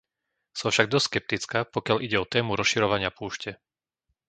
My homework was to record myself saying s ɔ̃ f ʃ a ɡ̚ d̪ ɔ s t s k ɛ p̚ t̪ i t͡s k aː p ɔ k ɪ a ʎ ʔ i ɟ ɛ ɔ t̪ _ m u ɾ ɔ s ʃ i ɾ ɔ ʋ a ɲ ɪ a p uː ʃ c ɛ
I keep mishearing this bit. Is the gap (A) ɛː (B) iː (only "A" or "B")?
A